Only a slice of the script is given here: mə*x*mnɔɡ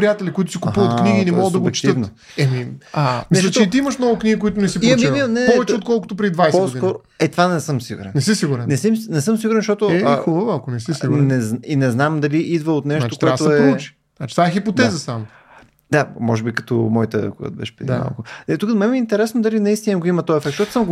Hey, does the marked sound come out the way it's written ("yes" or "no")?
no